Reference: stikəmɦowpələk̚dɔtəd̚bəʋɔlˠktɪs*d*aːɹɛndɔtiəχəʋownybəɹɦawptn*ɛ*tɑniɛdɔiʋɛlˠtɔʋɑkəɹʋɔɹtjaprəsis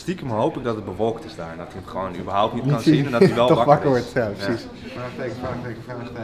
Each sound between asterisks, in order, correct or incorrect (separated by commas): correct, incorrect